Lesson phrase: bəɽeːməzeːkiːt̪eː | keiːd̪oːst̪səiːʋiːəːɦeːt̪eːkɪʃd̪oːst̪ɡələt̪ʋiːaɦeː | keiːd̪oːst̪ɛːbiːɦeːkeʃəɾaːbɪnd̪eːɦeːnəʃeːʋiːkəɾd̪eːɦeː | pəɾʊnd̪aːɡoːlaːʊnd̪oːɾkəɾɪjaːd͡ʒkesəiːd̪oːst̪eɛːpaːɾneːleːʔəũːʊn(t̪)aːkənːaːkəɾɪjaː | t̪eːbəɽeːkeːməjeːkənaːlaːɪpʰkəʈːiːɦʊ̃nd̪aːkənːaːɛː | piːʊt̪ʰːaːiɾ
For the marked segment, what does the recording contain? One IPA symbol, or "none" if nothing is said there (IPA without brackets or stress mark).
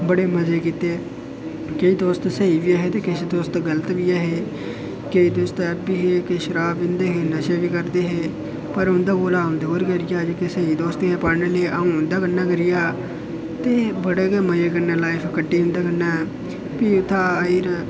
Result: d̪